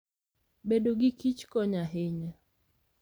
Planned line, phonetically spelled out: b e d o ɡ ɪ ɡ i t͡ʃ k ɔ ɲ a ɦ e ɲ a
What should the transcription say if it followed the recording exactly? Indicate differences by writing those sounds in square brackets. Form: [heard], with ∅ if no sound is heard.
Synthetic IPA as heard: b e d o ɡ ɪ [k] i t͡ʃ k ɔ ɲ a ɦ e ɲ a